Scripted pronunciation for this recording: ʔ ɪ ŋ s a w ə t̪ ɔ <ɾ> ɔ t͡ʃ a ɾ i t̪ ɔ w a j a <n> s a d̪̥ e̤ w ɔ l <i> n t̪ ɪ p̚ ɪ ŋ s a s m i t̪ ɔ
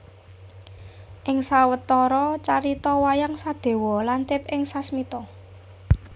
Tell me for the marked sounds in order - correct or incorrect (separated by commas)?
correct, incorrect, incorrect